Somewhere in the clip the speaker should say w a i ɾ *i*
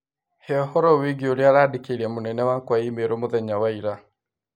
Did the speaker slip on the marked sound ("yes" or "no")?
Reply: yes